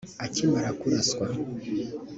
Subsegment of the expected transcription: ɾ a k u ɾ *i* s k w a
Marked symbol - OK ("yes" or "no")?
no